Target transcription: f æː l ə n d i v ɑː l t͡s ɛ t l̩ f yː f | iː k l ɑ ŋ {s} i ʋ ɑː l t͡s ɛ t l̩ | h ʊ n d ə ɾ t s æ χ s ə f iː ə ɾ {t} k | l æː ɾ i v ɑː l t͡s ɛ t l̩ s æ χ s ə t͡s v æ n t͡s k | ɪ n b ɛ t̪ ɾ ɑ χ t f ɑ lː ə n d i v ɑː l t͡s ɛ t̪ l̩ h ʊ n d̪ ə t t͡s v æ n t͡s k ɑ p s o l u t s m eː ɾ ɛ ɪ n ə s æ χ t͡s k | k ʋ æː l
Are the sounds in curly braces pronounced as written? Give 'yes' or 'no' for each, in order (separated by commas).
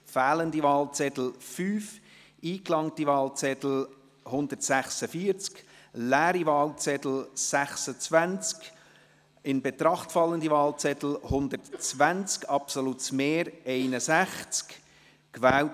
no, no